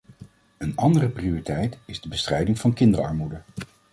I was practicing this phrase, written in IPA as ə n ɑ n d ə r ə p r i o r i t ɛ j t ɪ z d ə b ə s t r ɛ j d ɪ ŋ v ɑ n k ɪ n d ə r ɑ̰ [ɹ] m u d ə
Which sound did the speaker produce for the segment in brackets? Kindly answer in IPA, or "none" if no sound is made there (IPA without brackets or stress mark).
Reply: ɹ